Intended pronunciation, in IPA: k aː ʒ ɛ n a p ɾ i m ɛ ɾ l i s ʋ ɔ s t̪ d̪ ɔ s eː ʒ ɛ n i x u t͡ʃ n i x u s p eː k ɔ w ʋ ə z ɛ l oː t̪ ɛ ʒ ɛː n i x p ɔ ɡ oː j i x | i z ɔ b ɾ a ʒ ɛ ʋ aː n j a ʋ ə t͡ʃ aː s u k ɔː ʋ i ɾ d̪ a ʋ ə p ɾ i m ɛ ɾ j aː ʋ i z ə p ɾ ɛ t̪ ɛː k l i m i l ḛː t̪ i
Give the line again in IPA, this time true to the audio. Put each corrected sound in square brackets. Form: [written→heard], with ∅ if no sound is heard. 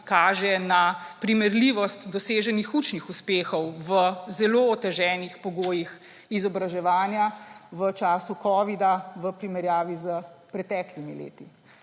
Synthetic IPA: k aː ʒ ɛ n a p ɾ i m ɛ ɾ l i [s→∅] ʋ ɔ s t̪ d̪ ɔ s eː ʒ ɛ n i x u t͡ʃ n i x u s p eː [k→x] ɔ w ʋ ə z ɛ l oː t̪ ɛ ʒ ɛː n i x p ɔ ɡ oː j i x | i z ɔ b ɾ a ʒ ɛ ʋ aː n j a ʋ ə t͡ʃ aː s u k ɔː ʋ i [ɾ→∅] d̪ a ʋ ə p ɾ i m ɛ ɾ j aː ʋ i z ə p ɾ ɛ t̪ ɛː k l i m i l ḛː t̪ i